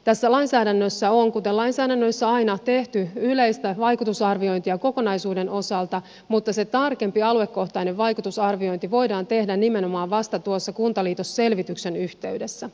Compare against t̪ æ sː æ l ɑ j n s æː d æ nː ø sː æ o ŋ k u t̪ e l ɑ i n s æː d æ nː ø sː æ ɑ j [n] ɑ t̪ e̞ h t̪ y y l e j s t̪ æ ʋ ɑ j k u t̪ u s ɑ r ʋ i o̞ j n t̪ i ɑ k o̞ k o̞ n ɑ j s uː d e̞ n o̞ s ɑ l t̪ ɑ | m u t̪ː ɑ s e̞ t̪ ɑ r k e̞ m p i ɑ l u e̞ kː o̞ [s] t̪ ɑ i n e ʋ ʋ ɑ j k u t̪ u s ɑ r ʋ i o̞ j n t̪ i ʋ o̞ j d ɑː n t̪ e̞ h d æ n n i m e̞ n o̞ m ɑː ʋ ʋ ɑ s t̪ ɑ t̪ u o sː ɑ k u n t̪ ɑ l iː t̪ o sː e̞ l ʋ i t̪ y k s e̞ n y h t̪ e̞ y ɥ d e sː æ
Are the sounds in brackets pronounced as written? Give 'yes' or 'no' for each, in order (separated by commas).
yes, no